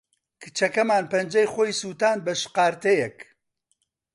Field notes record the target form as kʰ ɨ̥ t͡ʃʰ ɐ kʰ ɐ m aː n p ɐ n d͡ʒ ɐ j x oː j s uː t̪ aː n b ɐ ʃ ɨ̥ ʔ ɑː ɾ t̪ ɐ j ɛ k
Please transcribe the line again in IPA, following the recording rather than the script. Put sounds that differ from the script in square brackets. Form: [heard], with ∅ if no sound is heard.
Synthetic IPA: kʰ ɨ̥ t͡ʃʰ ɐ [k] ɐ m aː n p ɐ n d͡ʒ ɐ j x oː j s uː t̪ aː n b ɐ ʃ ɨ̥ [q] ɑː ɾ t̪ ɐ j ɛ k